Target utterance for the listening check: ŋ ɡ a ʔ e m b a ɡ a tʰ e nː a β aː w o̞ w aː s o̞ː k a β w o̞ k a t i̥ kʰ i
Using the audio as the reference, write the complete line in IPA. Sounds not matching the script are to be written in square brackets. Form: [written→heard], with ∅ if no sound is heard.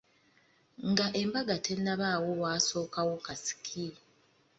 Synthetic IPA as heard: ŋ ɡ a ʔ e m b a ɡ a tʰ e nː a β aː w o̞ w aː s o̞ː k a [β→∅] w o̞ k a [t→s] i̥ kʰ i